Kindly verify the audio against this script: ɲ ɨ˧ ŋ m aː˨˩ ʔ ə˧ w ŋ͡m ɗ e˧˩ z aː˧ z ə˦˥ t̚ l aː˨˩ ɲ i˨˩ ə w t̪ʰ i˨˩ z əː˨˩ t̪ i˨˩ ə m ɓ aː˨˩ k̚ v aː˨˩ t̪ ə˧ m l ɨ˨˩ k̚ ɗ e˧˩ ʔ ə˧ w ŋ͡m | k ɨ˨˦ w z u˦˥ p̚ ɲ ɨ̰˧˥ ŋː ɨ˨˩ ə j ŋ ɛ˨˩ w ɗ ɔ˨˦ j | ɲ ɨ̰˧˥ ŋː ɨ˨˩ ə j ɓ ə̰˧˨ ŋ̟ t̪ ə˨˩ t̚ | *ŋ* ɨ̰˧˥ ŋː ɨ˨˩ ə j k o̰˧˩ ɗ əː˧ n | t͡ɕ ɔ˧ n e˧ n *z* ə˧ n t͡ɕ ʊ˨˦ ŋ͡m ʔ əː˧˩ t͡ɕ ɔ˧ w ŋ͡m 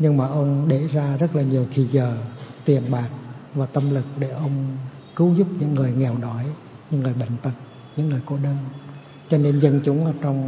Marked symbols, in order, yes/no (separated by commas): no, yes